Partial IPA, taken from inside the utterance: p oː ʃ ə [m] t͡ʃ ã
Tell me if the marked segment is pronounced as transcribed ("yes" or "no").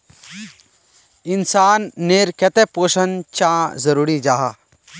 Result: no